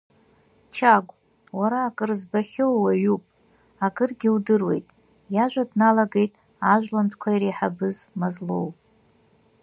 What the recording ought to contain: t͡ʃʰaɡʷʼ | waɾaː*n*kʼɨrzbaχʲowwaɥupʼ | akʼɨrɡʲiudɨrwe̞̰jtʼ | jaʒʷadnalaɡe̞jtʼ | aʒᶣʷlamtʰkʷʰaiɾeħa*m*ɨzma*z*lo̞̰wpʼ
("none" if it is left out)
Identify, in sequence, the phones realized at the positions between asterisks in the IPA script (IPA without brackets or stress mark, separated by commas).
none, b, z